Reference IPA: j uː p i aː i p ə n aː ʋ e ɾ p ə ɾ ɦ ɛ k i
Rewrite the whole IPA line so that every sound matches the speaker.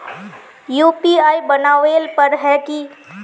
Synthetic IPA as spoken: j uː p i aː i b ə n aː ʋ e l p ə ɾ ɦ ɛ k i